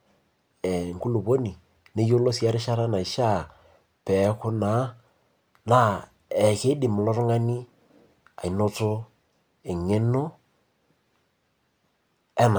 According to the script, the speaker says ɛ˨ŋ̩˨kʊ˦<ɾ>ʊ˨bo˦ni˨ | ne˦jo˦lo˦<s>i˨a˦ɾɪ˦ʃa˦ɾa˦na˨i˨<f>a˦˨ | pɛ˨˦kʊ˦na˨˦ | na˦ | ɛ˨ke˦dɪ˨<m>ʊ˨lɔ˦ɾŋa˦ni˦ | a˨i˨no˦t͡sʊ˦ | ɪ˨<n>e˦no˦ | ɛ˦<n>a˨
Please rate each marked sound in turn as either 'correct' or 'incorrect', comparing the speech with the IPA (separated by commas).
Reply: incorrect, correct, incorrect, correct, incorrect, correct